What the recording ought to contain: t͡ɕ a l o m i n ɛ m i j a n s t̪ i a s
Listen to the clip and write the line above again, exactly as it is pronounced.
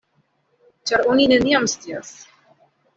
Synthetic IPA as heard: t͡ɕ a ɾ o n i n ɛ n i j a m s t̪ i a s